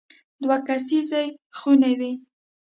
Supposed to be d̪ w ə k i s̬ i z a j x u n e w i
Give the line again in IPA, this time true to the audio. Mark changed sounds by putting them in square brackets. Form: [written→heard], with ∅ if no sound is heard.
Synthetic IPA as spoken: d̪ w [ə→a] k [i→a] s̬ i z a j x u n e w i